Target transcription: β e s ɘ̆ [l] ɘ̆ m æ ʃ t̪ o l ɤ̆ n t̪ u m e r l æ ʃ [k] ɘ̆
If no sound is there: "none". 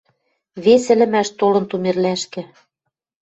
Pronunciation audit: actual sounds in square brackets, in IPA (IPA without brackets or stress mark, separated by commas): l, k